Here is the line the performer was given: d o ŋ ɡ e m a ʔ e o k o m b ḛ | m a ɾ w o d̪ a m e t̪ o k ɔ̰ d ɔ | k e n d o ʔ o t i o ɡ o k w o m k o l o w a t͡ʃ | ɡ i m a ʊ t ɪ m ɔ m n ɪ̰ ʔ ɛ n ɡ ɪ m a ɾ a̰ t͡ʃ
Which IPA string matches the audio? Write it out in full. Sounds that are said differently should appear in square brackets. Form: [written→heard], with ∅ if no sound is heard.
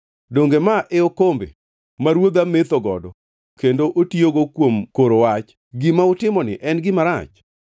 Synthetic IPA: d o ŋ ɡ e m a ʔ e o k o m b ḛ | m a ɾ w o d̪ a m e t̪ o [k→ɡ] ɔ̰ d ɔ | k e n d o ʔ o t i o ɡ o k w o m k o [l→ɾ] o w a t͡ʃ | ɡ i m a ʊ t ɪ m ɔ [m→∅] n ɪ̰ ʔ ɛ n ɡ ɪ m a ɾ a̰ t͡ʃ